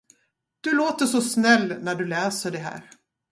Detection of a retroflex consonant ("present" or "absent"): present